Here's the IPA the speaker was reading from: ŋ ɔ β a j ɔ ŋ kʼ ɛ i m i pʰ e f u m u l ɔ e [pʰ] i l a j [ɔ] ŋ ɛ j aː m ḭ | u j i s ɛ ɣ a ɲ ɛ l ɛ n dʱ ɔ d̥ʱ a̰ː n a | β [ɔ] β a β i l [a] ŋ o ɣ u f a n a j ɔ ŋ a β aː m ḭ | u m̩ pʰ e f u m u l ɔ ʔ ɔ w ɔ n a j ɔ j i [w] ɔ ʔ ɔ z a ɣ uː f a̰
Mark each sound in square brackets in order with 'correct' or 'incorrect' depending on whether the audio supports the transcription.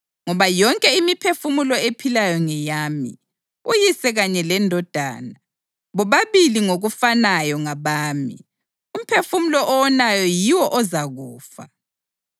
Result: correct, correct, correct, incorrect: i, correct

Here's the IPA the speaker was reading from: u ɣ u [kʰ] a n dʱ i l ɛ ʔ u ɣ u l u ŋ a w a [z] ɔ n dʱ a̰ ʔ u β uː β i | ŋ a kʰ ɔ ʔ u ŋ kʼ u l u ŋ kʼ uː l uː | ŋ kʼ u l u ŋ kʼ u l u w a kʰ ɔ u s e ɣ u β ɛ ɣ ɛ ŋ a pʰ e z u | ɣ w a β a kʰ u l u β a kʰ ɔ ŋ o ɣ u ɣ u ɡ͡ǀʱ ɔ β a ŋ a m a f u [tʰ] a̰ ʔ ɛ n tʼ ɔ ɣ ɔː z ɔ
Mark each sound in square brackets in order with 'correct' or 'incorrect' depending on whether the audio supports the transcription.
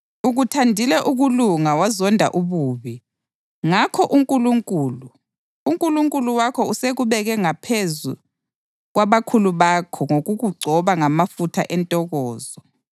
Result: incorrect: tʰ, correct, correct

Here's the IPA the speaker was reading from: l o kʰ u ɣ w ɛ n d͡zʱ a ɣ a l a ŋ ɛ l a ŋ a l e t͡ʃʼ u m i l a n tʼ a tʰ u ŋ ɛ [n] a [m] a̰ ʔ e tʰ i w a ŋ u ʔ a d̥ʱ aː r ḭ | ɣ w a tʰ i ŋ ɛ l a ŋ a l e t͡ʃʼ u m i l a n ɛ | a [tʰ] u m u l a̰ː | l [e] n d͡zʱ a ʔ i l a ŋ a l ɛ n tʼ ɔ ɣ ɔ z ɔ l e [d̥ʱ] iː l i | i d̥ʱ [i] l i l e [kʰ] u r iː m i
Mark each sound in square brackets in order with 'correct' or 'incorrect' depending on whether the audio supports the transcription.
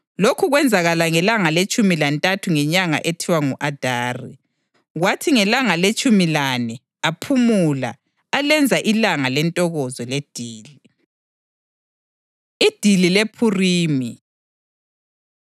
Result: incorrect: ɲ, incorrect: ŋ, incorrect: pʰ, incorrect: ɛ, correct, correct, incorrect: pʰ

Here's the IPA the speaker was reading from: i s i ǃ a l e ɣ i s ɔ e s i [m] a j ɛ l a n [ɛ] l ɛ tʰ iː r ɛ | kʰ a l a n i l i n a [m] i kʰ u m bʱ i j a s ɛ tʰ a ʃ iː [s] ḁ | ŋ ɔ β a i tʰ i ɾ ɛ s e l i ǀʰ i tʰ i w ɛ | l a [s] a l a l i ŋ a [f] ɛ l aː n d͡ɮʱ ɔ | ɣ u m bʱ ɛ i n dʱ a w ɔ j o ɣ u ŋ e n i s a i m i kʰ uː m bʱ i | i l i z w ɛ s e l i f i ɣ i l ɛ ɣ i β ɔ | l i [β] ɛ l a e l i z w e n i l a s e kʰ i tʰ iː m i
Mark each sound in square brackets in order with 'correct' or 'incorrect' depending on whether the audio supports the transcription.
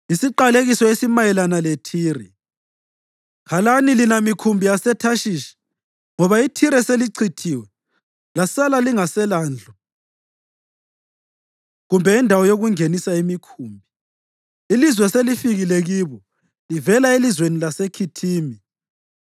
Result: correct, incorrect: a, correct, incorrect: ʃ, correct, incorrect: s, incorrect: v

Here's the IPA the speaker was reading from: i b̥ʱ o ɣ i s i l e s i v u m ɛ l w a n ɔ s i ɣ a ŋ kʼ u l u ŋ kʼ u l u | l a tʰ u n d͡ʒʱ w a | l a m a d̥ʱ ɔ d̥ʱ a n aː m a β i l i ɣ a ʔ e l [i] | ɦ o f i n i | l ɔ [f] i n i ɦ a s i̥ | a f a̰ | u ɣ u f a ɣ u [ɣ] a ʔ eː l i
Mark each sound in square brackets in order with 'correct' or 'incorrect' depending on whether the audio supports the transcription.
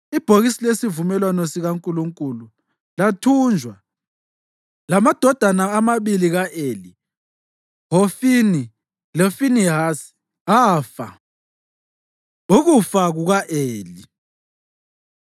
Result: correct, correct, correct

